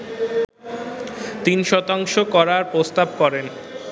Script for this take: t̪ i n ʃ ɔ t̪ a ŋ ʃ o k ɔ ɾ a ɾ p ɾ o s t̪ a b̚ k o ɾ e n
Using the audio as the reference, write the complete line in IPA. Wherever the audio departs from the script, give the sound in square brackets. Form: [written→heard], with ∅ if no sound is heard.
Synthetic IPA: t̪ i n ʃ ɔ t̪ a ŋ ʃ o k ɔ ɾ a ɾ p ɾ o s t̪ a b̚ k [o→ɔ] ɾ e n